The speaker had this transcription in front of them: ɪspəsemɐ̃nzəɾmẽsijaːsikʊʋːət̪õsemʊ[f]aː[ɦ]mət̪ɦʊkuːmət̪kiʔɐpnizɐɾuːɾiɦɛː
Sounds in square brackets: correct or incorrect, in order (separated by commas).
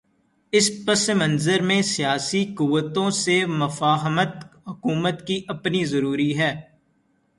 correct, correct